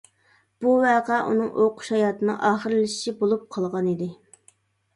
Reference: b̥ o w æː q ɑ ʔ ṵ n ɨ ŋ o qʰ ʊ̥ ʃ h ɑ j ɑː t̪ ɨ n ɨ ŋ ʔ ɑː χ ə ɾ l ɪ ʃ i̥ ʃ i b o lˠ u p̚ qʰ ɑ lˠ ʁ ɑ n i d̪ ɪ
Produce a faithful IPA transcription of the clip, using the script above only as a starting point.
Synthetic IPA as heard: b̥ u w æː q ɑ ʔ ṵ n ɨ ŋ o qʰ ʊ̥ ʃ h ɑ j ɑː t̪ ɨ n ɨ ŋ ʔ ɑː χ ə ɾ l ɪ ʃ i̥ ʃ i b o lˠ u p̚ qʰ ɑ lˠ ʁ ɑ n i d̪ ɪ